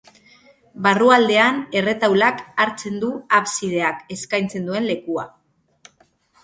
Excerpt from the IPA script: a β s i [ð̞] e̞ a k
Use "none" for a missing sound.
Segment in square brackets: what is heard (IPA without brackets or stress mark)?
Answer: ð̞